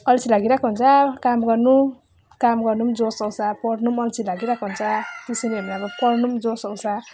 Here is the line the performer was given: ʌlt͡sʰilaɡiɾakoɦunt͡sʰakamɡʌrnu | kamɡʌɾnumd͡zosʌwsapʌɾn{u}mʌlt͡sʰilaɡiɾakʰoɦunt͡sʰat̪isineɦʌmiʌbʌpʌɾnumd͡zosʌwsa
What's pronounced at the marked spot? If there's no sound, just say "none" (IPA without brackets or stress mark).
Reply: u